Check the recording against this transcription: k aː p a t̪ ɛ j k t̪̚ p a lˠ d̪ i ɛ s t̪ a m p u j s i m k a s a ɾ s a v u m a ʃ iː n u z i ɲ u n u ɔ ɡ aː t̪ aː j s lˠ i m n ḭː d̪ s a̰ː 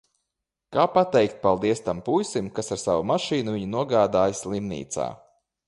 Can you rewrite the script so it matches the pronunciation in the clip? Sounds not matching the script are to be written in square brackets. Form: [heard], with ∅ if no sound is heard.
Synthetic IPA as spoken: k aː p a t̪ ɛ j k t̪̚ p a lˠ d̪ i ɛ s t̪ a m p u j s i m k a s a ɾ s a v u m a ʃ iː n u [v] i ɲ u n u ɔ ɡ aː [d̪] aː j s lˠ i m n ḭː [t̪] s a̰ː